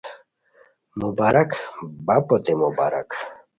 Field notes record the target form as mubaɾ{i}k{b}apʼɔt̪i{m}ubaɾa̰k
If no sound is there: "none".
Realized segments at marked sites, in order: a, b, m

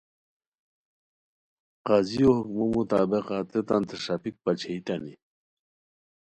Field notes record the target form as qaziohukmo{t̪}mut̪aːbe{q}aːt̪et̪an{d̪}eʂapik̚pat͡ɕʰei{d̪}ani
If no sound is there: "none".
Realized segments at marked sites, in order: none, q, t̪, t̪

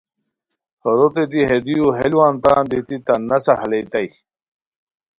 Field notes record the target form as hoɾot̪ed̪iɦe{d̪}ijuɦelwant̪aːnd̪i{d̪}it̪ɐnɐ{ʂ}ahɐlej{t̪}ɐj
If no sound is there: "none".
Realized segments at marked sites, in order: d̪, t̪, s, t̪

